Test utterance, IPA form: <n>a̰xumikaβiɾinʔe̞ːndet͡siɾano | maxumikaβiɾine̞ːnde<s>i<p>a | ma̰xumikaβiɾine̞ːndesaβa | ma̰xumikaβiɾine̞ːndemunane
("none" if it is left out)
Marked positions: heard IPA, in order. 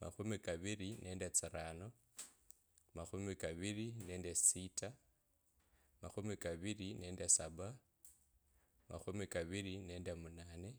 m, s, t

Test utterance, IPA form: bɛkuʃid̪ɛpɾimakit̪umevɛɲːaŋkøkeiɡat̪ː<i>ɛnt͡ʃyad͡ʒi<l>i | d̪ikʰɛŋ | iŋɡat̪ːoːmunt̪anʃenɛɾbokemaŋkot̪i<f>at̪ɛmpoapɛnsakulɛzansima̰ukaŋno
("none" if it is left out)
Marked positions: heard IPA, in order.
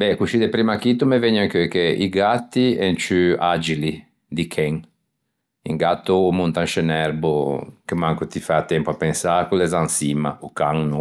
i, l, f

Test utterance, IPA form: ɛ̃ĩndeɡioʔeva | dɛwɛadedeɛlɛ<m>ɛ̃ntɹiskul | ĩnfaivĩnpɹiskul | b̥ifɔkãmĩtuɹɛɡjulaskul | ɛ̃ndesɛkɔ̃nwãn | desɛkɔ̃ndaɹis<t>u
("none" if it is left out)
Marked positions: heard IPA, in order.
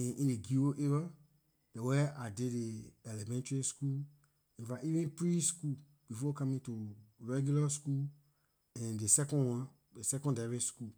m, k

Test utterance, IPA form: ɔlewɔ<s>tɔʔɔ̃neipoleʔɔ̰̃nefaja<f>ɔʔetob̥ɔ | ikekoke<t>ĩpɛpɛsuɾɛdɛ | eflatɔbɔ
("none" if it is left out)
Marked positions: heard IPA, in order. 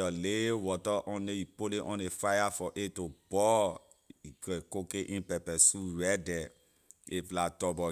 none, f, ʔ

